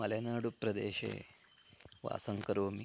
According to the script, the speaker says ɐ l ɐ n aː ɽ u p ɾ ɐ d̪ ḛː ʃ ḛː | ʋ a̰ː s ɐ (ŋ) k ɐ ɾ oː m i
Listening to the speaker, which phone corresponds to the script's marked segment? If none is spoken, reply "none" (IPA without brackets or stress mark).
ŋ